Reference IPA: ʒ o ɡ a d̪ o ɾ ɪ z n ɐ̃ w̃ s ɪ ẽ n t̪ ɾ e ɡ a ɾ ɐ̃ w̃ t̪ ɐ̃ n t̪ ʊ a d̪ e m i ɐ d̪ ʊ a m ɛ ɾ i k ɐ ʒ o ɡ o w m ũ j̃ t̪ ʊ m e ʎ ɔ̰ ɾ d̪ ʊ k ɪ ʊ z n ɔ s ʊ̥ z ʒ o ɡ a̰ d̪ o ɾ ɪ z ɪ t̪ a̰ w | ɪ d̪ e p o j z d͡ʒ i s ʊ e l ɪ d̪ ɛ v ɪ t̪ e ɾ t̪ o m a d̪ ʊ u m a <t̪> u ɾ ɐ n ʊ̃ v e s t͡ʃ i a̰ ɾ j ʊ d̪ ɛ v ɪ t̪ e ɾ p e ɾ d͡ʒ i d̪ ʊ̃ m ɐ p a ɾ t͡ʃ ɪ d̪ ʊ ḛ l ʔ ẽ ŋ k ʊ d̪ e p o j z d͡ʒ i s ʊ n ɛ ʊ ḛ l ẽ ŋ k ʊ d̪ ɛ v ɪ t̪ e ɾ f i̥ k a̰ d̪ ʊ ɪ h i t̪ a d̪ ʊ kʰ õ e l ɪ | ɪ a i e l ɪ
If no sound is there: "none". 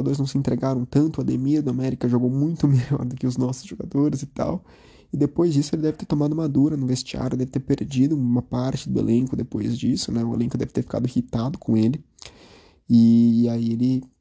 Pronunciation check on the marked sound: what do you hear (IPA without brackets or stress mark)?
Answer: d̪